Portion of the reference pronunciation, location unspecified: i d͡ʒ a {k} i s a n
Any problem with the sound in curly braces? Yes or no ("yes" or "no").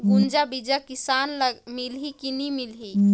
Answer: no